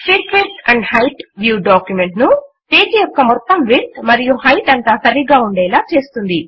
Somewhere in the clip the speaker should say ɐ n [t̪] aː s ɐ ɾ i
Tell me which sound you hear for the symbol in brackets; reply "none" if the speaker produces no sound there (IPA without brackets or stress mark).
t̪